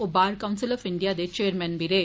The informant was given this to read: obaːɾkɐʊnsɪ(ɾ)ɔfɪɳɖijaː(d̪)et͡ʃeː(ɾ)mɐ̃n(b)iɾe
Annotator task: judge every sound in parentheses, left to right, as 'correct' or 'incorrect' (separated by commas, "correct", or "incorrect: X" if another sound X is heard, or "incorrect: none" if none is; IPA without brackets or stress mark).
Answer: incorrect: l, correct, correct, correct